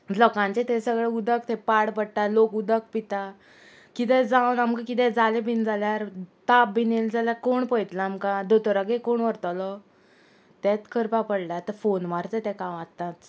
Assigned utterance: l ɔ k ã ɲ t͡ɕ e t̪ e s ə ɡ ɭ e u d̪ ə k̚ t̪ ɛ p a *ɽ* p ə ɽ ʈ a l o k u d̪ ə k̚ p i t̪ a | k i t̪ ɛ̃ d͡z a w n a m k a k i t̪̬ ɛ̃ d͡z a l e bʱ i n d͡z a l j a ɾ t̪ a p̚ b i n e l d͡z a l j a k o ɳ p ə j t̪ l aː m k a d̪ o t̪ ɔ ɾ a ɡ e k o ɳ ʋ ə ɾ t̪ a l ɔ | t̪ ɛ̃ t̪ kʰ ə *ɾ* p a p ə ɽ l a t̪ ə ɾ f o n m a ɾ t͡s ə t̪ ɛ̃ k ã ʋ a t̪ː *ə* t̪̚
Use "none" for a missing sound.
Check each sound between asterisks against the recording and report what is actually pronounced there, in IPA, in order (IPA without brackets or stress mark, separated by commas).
ɽ, ɾ, a